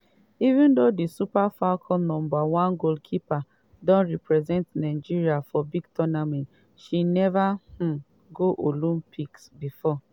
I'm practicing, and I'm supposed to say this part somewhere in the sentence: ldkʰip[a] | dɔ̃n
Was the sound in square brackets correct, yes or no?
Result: yes